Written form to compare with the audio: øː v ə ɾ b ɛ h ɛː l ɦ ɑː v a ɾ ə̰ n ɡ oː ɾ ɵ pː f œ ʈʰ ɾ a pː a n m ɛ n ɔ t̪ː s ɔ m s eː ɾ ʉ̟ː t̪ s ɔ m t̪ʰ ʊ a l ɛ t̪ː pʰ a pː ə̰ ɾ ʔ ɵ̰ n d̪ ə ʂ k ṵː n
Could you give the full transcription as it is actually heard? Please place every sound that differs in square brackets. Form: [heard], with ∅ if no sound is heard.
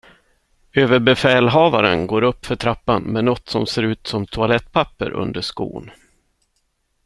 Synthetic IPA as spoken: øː v ə ɾ b ɛ [f] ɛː l ɦ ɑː v a ɾ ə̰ n ɡ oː ɾ ɵ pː f œ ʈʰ ɾ a pː a n m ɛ n ɔ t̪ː s ɔ m s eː ɾ ʉ̟ː t̪ s ɔ m t̪ʰ ʊ a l ɛ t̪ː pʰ a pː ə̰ ɾ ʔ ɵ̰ n d̪ ə ʂ k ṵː n